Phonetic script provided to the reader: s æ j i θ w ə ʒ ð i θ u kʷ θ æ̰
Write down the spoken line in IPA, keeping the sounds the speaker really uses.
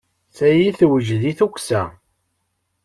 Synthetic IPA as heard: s æ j i θ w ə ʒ ð i θ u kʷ s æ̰